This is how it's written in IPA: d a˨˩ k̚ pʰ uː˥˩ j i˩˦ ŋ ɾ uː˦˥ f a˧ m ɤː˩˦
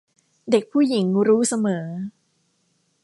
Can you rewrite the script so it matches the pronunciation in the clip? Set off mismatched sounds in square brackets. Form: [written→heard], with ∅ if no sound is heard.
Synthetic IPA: d [a˨˩→e˨˩] k̚ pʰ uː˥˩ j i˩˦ ŋ ɾ uː˦˥ [f→s] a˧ m ɤː˩˦